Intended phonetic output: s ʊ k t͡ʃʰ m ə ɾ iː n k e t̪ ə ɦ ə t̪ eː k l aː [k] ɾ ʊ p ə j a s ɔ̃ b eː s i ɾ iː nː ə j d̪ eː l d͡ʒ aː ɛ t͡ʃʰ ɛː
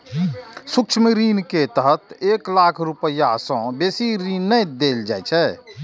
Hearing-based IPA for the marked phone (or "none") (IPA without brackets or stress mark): kʰ